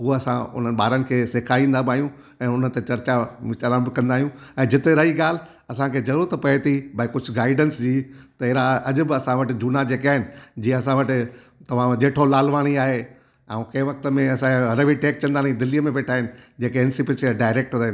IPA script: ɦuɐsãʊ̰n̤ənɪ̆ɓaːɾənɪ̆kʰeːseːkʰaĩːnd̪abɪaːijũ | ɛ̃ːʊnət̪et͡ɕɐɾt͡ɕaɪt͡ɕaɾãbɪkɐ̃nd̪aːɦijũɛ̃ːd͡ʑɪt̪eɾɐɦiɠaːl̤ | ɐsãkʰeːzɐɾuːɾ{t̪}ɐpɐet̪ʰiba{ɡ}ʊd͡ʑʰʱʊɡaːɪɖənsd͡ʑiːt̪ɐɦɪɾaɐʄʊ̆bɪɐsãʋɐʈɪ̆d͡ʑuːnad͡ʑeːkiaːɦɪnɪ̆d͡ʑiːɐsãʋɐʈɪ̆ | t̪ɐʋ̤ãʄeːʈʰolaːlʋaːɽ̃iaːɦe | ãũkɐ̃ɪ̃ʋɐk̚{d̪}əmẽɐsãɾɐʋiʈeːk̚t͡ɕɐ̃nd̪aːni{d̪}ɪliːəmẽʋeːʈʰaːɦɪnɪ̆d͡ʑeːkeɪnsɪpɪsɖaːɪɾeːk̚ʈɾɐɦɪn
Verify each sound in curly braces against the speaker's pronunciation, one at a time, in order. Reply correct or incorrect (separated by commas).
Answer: correct, incorrect, incorrect, correct